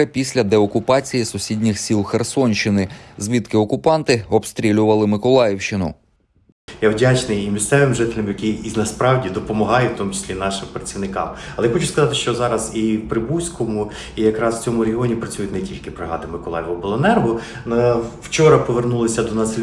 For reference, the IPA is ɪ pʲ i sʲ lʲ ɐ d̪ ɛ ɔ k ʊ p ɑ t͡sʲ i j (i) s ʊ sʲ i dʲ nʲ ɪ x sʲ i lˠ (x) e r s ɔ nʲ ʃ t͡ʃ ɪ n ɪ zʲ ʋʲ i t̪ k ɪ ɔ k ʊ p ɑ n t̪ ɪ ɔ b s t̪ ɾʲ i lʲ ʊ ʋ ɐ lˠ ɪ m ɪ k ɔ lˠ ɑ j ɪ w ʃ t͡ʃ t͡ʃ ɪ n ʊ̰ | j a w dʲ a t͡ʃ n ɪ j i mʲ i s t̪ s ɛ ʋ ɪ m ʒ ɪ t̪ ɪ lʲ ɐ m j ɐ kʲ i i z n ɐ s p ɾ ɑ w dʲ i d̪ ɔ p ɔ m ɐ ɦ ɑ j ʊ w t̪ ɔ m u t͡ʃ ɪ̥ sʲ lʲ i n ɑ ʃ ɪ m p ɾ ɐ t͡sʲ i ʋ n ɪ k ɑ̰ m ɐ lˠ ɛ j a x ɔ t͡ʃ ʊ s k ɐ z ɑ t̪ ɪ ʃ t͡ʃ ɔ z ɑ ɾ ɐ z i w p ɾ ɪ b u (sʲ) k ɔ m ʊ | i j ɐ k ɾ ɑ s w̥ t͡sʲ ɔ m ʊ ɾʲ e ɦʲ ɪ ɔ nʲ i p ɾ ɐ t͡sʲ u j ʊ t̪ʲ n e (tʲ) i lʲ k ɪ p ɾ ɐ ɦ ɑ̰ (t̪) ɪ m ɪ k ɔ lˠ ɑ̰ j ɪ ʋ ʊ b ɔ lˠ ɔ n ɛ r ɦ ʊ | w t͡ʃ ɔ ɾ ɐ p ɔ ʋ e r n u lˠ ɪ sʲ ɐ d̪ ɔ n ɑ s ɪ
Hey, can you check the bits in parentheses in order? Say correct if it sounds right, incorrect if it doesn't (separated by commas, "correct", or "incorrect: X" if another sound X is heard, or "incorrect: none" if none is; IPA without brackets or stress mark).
correct, correct, correct, correct, incorrect: d̪